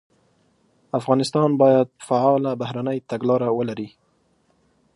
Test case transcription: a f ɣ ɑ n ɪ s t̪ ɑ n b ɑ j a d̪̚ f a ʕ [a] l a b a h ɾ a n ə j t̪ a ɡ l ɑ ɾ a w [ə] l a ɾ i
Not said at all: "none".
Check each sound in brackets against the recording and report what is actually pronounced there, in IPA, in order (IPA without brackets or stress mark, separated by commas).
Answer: ɑ, ə